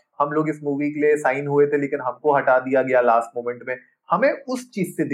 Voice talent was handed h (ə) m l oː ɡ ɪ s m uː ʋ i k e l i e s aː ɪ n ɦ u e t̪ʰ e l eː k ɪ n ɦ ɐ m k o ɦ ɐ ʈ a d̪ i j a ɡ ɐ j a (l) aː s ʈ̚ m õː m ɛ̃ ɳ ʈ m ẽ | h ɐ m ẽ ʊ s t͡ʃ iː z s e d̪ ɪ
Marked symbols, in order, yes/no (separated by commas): no, yes